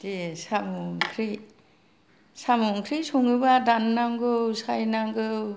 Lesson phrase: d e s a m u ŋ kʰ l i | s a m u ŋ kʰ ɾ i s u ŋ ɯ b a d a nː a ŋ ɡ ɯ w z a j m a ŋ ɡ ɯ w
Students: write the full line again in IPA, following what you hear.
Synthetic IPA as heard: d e s a m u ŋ kʰ ɾ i | s a m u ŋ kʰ ɾ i s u ŋ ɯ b a d a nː a ŋ ɡ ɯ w s a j n a ŋ ɡ ɯ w